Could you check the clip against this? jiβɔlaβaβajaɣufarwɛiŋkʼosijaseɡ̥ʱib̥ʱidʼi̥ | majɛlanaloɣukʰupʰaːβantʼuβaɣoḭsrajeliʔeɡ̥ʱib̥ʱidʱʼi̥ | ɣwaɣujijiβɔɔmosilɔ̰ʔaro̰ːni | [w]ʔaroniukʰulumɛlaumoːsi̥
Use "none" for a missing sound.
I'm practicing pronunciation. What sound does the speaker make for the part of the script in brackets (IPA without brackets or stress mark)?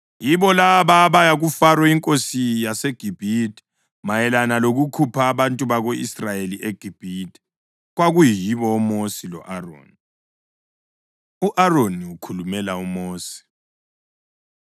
u